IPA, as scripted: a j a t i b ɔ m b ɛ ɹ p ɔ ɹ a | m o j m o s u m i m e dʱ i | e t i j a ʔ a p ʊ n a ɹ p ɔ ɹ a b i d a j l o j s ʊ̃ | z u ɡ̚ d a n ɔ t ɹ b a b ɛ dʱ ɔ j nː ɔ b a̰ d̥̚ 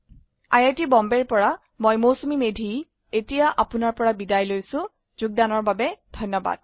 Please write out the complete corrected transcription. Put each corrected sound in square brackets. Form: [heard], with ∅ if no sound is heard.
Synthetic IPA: a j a t i b ɔ m b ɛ ɹ p ɔ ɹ a | m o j m o s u m i m e dʱ i | e t i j a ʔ a p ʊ n a ɹ p ɔ ɹ a b i d a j l o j s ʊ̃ | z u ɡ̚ d a n ɔ [∅] ɹ b a b ɛ dʱ ɔ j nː ɔ b a̰ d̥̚

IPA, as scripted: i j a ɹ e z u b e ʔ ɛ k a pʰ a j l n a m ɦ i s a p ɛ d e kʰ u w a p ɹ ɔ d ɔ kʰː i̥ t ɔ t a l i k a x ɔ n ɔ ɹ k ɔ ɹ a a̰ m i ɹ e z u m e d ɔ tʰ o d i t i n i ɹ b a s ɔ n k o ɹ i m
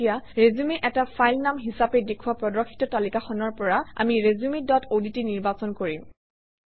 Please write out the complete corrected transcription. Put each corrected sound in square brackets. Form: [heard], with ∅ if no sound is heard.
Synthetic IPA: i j a ɹ e z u [m] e ʔ ɛ [t] a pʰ a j l n a m ɦ i s a p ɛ d e kʰ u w a p ɹ ɔ d ɔ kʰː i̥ t ɔ t a l i k a x ɔ n ɔ ɹ [p] ɔ ɹ a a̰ m i ɹ e z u m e d ɔ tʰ o d i t i n i ɹ b a s ɔ n k o ɹ i m

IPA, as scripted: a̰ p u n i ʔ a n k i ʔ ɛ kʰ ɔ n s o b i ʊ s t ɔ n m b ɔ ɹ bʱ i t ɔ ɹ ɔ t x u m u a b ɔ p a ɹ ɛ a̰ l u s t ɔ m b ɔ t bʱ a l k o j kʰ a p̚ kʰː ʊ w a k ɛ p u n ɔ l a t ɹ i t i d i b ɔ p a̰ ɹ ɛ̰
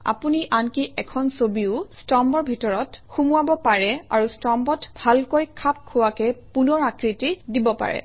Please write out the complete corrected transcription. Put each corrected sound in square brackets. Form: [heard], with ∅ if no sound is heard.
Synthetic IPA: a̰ p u n i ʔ a n k i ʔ ɛ kʰ ɔ n s o b i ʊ s t ɔ [∅] m b ɔ ɹ bʱ i t ɔ ɹ ɔ t x u m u a b ɔ p a ɹ ɛ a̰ [ɹ] u s t ɔ m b ɔ t bʱ a l k o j kʰ a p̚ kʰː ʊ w a k ɛ p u n ɔ [ɹ] a [k] ɹ i t i d i b ɔ p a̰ ɹ ɛ̰

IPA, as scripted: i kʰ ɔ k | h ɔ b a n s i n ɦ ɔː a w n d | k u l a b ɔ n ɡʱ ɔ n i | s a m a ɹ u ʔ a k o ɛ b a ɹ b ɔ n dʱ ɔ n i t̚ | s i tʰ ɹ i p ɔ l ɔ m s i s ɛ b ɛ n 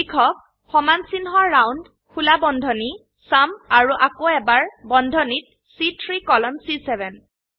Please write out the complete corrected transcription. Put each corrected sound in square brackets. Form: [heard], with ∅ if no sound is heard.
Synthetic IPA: i kʰ ɔ k | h ɔ [m] a n s i n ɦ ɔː a w n d | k u l a b ɔ n [dʱ] ɔ n i | s a m a ɹ u ʔ a k o ɛ b a ɹ b ɔ n dʱ ɔ n i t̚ | s i tʰ ɹ i [k] ɔ l ɔ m s i s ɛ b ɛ n

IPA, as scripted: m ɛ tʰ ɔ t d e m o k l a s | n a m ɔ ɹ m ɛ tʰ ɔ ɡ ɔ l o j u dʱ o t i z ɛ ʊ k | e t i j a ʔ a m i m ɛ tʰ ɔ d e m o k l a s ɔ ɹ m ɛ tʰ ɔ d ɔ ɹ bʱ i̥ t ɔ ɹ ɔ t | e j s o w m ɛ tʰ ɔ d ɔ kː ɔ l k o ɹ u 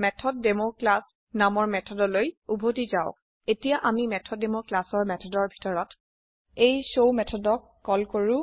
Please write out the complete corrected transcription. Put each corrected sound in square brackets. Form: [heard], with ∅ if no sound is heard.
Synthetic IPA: m ɛ tʰ ɔ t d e m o k l a s | n a m ɔ ɹ m ɛ tʰ ɔ [d] ɔ l o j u [bʱ] o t i z [a] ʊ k | e t i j a ʔ a m i m ɛ tʰ ɔ d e m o k l a s ɔ ɹ m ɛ tʰ ɔ d ɔ ɹ bʱ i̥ t ɔ ɹ ɔ t | e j s o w m ɛ tʰ ɔ d ɔ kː ɔ l k o ɹ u

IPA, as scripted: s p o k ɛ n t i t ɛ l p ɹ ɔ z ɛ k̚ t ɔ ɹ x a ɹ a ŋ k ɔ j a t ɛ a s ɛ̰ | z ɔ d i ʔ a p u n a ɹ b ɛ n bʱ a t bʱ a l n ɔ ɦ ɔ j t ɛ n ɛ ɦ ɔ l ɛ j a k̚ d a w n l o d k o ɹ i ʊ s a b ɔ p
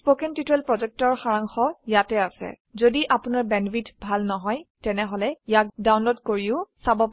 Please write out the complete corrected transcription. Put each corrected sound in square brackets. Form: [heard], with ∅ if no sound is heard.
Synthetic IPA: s p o k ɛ n t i t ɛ l p ɹ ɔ z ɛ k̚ t ɔ ɹ x a ɹ a ŋ [x] ɔ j a t ɛ a s ɛ̰ | z [o] d i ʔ a p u n a ɹ b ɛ n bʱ [i] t bʱ a l n ɔ ɦ ɔ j t ɛ n ɛ ɦ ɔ l ɛ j a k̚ d a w n l o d k o ɹ i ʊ s a b ɔ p

